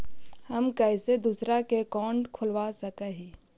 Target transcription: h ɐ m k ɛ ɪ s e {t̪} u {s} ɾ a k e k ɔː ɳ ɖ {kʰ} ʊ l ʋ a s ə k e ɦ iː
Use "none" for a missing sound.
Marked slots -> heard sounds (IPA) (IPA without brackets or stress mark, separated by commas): d̪, s, kʰ